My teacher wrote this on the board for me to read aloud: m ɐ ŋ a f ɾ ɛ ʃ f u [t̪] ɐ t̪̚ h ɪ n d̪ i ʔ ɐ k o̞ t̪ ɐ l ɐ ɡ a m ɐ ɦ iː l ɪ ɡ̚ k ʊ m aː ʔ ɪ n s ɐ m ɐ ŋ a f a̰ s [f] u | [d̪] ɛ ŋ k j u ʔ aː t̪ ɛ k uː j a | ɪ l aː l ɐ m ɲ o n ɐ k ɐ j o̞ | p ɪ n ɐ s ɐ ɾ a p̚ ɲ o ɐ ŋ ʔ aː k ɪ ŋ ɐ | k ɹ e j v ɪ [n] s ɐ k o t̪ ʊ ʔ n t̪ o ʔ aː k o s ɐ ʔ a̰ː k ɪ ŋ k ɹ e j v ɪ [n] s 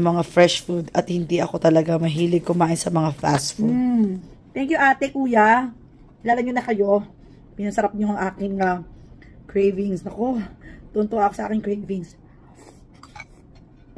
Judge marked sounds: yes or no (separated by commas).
no, yes, no, no, no